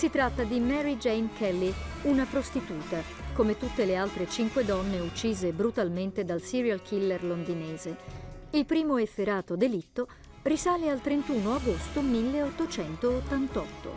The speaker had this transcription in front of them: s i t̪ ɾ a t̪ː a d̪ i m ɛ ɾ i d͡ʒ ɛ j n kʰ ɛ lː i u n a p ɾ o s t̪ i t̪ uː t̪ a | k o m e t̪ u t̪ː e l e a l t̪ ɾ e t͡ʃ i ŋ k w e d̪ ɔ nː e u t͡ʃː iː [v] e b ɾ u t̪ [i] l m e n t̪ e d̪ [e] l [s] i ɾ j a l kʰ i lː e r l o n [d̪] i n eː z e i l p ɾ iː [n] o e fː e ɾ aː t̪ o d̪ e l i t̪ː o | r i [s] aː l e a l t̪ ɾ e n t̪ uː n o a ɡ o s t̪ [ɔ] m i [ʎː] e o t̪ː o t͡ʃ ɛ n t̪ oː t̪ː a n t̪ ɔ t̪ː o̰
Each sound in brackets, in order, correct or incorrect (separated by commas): incorrect, incorrect, incorrect, correct, correct, incorrect, correct, incorrect, incorrect